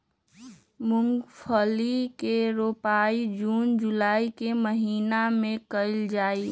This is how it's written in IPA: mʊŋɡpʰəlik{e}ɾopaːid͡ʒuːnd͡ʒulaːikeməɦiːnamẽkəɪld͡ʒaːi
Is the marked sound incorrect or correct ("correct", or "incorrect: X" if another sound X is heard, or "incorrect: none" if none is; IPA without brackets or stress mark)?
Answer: correct